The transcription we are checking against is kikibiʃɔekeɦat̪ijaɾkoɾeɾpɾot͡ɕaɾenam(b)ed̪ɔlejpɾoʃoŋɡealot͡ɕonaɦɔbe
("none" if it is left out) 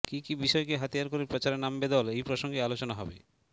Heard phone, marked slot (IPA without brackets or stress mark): b